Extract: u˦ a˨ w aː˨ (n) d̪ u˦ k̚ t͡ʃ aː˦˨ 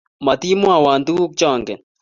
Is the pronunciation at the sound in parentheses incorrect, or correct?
correct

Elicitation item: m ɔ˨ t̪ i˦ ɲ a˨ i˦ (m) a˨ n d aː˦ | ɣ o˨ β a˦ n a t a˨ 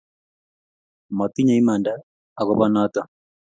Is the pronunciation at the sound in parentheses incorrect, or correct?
correct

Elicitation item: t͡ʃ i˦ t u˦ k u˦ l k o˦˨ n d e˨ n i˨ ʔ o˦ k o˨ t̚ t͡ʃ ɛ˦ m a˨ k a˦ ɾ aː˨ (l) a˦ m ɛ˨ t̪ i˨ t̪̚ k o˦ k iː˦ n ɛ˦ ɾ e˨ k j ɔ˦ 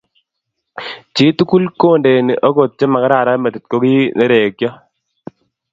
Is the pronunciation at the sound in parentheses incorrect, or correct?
incorrect: ɾ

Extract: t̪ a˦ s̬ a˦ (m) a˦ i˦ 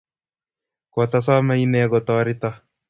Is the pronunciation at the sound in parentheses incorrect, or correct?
correct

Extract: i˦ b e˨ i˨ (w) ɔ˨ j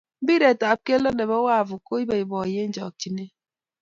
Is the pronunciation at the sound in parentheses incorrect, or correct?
incorrect: b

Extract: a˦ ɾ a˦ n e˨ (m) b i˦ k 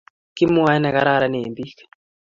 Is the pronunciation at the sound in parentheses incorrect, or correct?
correct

